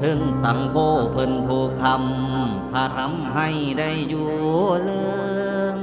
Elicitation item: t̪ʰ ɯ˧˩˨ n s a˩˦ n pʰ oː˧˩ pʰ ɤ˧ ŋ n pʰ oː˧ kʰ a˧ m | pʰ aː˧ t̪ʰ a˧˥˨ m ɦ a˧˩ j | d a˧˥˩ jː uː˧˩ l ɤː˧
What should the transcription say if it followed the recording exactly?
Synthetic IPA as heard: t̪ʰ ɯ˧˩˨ ŋ s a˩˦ ŋ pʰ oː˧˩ pʰ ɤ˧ n pʰ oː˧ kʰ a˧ m | pʰ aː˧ t̪ʰ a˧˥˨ m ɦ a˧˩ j | d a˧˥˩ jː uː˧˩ l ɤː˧

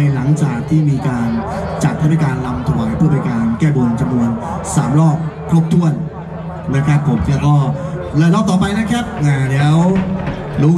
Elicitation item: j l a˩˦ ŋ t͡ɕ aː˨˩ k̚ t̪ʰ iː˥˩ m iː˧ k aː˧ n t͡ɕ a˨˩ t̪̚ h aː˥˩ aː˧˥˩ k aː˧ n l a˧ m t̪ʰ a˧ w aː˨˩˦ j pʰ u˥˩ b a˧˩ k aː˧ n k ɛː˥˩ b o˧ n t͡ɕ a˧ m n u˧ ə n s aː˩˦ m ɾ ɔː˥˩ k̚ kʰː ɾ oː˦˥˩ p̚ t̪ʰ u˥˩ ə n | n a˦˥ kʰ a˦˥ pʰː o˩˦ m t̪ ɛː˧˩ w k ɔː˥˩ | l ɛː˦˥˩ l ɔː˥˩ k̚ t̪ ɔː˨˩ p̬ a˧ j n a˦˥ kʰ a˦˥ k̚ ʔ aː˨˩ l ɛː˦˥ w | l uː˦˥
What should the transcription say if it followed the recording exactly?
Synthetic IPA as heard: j l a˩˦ ŋ t͡ɕ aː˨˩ k̚ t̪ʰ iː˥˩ m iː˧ k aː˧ n t͡ɕ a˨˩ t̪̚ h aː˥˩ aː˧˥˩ k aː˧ n l a˧ m t̪ʰ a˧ w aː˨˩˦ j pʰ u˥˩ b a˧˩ k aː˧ n k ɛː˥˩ b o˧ n t͡ɕ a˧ m n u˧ ə n s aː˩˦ m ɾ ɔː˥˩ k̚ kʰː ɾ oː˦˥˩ p̚ t̪ʰ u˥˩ ə n | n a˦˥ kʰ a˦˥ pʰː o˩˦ m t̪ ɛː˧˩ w k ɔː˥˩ | l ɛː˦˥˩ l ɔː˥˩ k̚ t̪ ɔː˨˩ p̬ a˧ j n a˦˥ kʰ a˦˥ p̚ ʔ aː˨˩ l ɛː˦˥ w | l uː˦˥

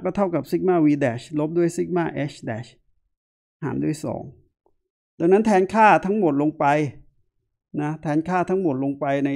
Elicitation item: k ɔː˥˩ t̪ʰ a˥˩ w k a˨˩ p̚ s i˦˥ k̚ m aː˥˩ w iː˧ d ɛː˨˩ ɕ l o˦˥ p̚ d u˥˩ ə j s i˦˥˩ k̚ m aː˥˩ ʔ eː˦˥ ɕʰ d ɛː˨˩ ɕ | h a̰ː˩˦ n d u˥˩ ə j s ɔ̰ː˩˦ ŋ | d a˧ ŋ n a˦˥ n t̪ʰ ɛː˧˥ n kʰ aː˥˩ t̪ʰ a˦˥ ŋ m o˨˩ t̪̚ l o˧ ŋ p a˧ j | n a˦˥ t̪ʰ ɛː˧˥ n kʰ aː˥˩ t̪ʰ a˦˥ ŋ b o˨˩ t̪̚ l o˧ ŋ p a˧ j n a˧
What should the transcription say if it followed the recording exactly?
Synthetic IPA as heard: k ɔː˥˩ t̪ʰ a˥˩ w k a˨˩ p̚ s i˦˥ k̚ m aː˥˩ w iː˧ d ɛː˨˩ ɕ l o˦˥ p̚ d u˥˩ ə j s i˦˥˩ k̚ m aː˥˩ ʔ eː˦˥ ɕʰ d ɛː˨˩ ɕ | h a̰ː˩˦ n d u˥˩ ə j s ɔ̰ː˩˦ ŋ | d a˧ ŋ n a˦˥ n t̪ʰ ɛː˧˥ n kʰ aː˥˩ t̪ʰ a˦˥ ŋ m o˨˩ t̪̚ l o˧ ŋ p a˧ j | n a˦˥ t̪ʰ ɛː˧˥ n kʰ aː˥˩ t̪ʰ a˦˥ ŋ m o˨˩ t̪̚ l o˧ ŋ p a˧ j n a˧

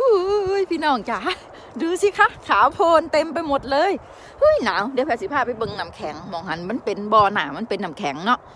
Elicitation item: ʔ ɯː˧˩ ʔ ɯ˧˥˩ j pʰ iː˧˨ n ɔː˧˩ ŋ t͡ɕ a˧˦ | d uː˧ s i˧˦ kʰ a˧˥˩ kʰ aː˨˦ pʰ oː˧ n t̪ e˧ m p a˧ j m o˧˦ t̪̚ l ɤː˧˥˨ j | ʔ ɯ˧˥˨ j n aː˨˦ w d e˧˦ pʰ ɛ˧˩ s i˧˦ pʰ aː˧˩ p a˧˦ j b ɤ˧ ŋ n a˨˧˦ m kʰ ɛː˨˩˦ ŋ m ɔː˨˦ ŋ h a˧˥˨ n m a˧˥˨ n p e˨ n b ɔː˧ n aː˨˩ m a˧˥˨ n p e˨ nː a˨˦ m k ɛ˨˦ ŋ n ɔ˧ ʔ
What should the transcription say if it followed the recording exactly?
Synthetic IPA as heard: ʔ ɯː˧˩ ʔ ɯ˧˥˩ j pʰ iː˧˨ n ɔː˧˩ ŋ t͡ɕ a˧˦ | d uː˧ s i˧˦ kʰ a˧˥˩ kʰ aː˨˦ pʰ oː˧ n t̪ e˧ m p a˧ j m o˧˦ t̪̚ l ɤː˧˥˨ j | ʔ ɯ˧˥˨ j n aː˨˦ w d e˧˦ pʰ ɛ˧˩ s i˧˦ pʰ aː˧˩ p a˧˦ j b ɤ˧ ŋ n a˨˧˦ m kʰ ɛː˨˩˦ ŋ m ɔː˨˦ ŋ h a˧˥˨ n m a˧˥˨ n p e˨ n b ɔː˧ n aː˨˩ m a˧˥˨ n p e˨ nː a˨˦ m kʰ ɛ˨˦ ŋ n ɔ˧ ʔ

